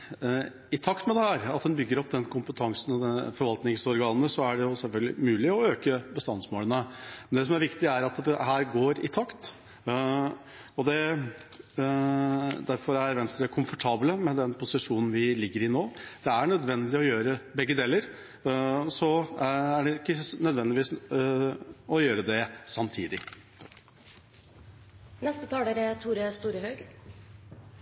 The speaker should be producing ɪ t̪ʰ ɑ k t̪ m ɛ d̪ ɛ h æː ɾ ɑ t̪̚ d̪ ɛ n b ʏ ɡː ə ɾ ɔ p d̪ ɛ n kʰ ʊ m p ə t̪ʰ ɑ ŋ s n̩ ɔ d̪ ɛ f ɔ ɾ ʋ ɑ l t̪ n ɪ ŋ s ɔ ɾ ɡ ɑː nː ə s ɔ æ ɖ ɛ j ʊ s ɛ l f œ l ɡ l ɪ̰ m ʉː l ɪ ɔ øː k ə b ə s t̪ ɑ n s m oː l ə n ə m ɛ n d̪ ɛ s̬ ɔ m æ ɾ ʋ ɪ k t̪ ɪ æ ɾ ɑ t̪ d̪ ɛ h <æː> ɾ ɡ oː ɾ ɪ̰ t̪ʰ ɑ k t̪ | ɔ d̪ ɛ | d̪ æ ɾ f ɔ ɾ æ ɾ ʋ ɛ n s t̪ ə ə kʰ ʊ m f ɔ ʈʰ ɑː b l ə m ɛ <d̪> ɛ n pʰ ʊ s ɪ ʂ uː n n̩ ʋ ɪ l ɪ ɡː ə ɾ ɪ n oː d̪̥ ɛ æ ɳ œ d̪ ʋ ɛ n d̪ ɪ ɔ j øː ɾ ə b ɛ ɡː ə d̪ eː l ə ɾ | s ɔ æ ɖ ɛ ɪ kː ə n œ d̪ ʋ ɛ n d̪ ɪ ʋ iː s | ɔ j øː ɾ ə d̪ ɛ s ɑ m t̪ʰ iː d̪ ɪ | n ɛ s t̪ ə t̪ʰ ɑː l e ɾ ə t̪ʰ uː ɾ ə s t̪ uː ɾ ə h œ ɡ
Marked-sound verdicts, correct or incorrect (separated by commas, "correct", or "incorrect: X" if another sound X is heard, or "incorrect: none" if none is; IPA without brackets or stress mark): correct, correct